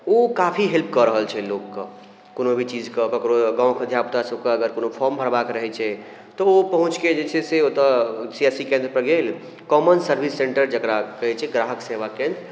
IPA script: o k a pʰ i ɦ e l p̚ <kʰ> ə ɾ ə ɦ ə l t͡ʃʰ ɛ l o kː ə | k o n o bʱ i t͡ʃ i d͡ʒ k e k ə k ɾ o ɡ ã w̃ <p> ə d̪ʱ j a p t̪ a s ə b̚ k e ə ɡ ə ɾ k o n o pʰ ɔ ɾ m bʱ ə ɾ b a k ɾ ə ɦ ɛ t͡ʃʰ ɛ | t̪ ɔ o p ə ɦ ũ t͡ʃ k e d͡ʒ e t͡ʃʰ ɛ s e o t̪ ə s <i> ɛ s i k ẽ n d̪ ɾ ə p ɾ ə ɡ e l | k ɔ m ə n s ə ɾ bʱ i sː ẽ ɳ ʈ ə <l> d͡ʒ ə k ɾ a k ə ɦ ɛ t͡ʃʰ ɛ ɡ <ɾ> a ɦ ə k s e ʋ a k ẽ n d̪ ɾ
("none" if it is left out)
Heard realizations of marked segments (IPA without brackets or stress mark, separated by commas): k, k, i, ɾ, ɾ